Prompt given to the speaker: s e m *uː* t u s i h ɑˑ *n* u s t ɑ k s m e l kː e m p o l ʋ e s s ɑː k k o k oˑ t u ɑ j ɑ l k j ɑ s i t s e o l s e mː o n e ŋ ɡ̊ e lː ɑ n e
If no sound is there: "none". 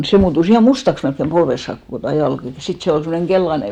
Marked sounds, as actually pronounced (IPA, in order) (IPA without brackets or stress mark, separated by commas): uː, m